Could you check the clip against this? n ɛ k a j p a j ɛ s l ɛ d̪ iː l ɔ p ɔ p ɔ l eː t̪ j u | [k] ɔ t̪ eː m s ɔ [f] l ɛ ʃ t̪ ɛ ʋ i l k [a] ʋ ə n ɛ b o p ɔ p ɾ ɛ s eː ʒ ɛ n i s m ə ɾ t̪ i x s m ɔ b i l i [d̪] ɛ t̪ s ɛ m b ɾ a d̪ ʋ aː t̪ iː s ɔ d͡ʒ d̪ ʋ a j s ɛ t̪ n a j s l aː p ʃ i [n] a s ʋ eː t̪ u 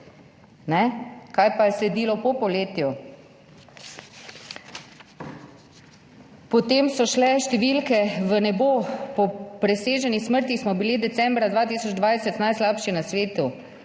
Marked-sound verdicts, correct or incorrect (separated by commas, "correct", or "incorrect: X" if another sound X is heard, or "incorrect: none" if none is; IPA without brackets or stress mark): incorrect: p, incorrect: ʃ, incorrect: ɛ, correct, correct